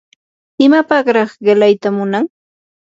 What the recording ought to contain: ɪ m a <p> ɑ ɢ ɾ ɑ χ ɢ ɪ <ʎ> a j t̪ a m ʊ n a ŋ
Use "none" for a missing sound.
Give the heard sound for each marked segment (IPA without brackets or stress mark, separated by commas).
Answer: p, l